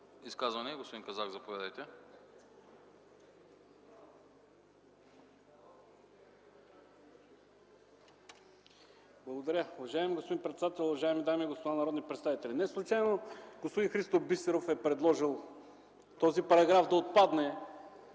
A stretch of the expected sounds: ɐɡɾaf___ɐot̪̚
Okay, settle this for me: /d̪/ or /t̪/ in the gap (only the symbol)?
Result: d̪